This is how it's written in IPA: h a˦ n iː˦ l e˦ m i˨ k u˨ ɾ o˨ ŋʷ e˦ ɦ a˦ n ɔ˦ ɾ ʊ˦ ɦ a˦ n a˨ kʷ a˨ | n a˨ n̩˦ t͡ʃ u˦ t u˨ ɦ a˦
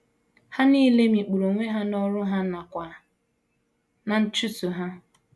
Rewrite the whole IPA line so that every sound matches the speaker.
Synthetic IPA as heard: h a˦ n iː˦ l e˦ m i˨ k͡p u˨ ɾ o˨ ŋʷ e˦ ɦ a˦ n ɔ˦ ɾ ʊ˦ ɦ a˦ n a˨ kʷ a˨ | n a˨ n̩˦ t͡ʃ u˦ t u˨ ɦ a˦